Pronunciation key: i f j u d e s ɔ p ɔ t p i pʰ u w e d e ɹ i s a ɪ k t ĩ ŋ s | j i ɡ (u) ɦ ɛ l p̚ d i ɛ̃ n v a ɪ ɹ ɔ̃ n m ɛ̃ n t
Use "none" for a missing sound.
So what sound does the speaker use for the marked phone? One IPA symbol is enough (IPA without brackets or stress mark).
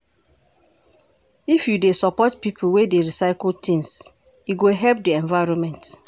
o